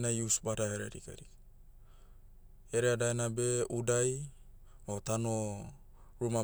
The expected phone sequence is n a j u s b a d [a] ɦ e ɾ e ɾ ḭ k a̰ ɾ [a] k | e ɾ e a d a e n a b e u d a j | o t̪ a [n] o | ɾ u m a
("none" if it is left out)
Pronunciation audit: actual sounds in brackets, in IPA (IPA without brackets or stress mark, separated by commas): a, i, n